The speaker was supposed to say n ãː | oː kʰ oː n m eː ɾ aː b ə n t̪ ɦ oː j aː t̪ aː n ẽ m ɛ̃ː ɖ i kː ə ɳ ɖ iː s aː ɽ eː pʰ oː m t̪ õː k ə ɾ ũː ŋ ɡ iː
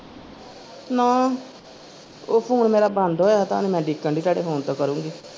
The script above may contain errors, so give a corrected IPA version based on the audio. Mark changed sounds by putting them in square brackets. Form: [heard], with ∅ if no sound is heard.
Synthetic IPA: n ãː | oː [pʰ] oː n m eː ɾ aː b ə n [d̪] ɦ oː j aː t̪ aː n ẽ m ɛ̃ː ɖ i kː ə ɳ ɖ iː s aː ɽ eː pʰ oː [n] t̪ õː k ə ɾ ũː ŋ ɡ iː